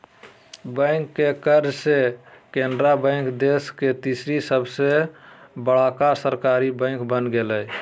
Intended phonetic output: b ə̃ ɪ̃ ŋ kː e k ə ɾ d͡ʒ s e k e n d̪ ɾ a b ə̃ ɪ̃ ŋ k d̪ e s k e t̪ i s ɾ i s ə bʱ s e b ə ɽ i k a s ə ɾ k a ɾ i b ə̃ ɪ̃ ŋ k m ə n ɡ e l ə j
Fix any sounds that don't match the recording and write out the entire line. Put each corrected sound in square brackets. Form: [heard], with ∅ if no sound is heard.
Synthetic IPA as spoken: b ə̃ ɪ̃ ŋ kː e k ə ɾ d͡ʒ s e k e n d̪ ɾ a b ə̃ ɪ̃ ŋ k d̪ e s k e t̪ i s ɾ i s ə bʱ s e b ə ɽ [a] k a s ə ɾ k a ɾ i b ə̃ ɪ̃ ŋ k [b] ə n ɡ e l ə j